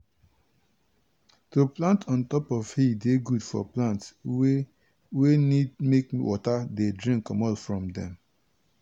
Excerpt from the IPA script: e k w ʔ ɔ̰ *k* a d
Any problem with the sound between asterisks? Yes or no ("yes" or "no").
yes